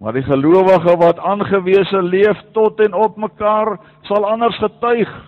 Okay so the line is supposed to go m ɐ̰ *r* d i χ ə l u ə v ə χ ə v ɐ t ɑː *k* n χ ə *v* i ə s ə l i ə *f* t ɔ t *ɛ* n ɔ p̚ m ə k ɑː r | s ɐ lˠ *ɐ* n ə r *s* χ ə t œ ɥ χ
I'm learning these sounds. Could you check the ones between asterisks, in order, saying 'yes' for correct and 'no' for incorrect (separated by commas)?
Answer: yes, no, yes, yes, yes, yes, yes